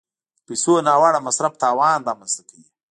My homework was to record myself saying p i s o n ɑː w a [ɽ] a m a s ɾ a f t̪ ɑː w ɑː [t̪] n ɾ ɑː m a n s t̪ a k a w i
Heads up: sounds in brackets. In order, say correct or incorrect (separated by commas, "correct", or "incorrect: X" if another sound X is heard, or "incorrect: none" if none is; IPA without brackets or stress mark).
correct, incorrect: none